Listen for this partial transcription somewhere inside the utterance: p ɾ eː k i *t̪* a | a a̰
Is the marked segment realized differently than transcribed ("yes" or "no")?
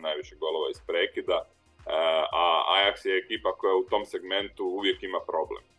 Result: yes